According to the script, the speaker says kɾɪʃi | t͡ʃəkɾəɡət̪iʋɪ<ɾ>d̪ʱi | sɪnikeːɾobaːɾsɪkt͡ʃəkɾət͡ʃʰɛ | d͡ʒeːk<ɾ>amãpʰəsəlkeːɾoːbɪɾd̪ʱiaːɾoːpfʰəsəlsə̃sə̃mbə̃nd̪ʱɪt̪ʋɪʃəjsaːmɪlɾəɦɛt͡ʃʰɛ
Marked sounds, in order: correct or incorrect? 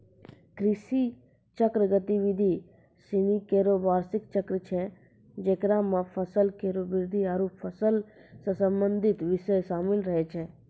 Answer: incorrect, correct

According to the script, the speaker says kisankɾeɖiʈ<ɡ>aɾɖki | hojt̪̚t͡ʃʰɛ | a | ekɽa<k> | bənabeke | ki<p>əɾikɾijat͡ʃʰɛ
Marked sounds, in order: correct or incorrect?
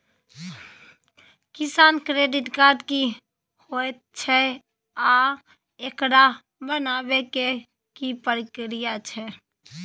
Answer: incorrect, incorrect, correct

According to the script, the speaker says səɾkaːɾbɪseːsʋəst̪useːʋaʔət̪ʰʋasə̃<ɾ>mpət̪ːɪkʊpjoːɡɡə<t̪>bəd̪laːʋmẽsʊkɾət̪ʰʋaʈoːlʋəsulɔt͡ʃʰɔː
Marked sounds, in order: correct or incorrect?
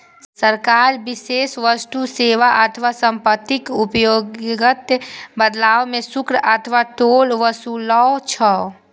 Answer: incorrect, correct

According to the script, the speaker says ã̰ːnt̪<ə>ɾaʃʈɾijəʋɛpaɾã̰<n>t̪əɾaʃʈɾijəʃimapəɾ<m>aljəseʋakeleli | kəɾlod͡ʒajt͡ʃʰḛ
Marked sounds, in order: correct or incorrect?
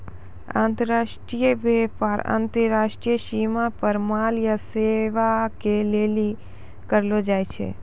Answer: correct, correct, correct

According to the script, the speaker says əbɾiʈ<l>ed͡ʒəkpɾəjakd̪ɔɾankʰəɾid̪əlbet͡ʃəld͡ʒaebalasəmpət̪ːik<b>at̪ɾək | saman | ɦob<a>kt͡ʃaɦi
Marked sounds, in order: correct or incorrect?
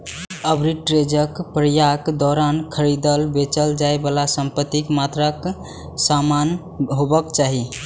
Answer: incorrect, incorrect, incorrect

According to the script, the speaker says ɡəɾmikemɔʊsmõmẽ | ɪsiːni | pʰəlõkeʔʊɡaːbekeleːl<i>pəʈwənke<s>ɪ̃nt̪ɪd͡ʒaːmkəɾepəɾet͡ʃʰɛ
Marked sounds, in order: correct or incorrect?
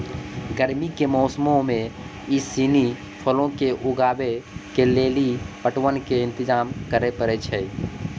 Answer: correct, incorrect

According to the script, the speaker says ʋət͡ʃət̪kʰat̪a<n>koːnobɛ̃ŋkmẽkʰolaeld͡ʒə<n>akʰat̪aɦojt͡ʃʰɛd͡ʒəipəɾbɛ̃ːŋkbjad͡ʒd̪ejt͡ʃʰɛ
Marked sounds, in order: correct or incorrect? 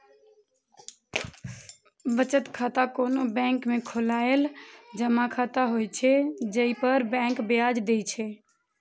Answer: incorrect, incorrect

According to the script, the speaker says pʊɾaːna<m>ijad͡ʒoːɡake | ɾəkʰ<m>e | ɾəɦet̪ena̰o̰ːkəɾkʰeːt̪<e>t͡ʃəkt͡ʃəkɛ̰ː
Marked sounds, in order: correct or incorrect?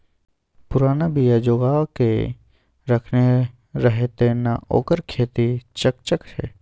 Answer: incorrect, incorrect, incorrect

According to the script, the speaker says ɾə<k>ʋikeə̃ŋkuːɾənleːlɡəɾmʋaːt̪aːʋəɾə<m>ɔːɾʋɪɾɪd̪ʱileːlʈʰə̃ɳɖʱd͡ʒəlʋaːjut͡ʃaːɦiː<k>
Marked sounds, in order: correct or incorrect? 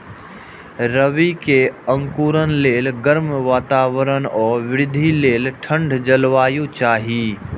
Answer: incorrect, incorrect, incorrect

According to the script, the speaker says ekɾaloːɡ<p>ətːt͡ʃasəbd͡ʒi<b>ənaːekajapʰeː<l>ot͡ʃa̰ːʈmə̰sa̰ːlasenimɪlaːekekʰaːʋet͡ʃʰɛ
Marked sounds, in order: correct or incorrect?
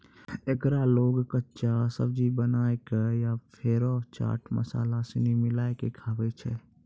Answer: incorrect, correct, incorrect

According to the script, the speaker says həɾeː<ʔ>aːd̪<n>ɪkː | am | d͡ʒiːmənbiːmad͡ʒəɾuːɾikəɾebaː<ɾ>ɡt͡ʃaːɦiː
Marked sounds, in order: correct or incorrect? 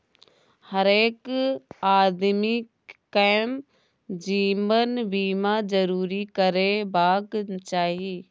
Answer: incorrect, incorrect, incorrect

